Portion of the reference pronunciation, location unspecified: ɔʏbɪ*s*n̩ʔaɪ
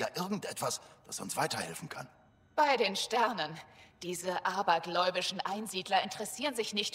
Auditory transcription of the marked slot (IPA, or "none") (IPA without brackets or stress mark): ʃ